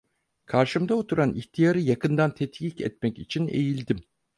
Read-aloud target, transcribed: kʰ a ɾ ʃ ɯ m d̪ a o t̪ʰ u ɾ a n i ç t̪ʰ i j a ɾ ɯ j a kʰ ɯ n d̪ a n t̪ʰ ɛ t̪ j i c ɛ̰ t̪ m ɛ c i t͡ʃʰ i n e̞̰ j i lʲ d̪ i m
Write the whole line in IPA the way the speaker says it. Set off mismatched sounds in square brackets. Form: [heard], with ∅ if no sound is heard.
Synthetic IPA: kʰ a ɾ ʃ ɯ m d̪ a o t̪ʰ u ɾ a n i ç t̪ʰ i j a ɾ ɯ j a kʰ ɯ n d̪ a n t̪ʰ ɛ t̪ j i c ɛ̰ t̪ m ɛ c i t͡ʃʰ i n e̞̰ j i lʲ d̪ i m